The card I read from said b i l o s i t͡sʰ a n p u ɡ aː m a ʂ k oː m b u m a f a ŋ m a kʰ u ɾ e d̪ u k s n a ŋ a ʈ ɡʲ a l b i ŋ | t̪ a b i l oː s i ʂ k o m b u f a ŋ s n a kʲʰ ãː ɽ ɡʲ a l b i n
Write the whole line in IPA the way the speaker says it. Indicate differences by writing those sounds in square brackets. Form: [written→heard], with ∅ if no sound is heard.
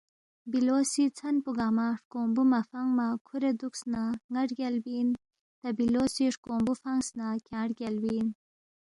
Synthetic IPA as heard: b i l o s i t͡sʰ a n p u ɡ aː m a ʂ k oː m b u m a f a ŋ m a kʰ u ɾ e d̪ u k s n a ŋ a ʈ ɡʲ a l b i [ŋ→n] | t̪ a b i l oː s i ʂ k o m b u f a ŋ s n a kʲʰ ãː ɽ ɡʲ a l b i n